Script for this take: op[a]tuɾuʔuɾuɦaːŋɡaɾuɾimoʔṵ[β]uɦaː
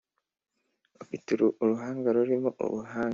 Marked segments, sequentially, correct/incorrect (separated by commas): incorrect, correct